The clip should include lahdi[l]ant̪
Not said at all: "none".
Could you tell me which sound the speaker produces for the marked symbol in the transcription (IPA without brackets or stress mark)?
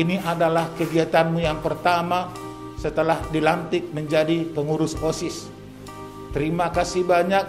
l